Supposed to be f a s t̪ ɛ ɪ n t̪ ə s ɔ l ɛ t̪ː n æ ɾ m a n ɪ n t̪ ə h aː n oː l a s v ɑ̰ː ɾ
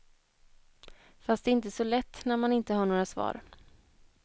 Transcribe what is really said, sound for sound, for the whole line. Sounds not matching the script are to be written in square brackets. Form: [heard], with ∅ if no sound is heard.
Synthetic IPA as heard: f a s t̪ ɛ ɪ n t̪ ə s ɔ l ɛ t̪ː n æ ɾ m a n ɪ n t̪ ə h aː [ɳ] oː [ɾ] a s v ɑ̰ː ɾ